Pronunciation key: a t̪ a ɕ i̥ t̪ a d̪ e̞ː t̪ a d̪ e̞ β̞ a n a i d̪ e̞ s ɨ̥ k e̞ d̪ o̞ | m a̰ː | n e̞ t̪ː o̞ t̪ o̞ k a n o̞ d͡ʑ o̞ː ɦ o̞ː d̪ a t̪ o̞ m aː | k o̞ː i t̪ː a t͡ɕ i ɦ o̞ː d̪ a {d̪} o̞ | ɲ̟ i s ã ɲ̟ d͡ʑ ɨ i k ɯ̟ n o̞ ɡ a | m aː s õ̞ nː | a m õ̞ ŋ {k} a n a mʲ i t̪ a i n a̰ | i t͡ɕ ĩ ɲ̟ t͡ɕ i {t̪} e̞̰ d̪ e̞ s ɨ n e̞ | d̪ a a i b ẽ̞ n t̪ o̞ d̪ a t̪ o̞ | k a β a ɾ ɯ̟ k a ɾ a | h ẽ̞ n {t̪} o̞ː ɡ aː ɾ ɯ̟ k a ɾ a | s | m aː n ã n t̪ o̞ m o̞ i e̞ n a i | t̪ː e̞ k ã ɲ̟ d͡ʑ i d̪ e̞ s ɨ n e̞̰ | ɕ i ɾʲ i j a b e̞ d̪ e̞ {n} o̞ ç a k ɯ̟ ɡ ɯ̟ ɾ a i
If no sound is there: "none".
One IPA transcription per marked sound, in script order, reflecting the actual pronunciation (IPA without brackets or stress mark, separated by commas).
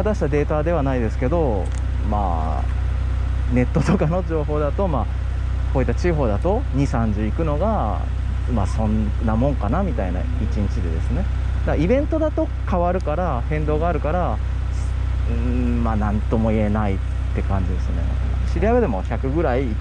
t̪, k, d̪, d̪, m